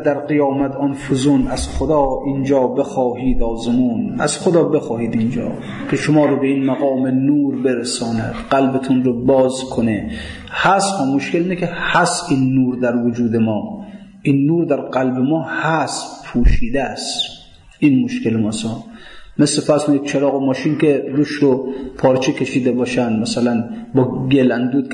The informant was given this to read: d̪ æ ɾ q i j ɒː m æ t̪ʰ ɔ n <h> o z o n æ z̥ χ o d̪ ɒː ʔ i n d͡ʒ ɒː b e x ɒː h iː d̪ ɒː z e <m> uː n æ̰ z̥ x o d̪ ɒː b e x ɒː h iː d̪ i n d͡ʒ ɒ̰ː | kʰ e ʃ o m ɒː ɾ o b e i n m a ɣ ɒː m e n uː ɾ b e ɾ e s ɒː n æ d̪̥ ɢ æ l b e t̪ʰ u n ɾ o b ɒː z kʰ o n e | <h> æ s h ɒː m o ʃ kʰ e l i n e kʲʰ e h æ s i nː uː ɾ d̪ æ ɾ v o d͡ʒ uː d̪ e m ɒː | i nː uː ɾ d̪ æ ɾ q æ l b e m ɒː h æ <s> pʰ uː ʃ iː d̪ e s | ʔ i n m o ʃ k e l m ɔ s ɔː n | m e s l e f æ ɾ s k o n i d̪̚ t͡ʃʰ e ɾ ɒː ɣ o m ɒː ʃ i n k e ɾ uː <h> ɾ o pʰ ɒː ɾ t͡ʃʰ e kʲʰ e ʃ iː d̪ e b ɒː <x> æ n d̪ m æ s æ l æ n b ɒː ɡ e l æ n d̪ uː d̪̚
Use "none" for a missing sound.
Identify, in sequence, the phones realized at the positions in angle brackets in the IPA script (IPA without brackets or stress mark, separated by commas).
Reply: f, m, h, s, ʃ, ʃ